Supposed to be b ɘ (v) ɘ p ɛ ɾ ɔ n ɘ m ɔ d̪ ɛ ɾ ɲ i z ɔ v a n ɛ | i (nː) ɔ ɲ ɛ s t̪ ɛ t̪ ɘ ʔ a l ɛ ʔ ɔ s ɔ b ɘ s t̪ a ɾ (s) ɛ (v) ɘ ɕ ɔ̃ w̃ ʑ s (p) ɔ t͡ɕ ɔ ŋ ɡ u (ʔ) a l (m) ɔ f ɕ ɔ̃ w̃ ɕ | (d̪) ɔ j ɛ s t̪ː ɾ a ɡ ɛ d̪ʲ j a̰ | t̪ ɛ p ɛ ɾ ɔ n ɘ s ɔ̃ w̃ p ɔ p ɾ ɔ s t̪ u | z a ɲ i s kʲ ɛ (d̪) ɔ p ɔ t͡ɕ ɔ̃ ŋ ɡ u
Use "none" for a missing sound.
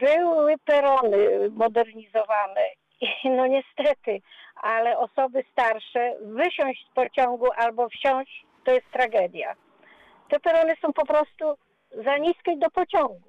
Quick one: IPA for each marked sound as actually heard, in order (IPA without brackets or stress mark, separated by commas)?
w, n, ʂ, v, p, ʔ, b, t̪, d̪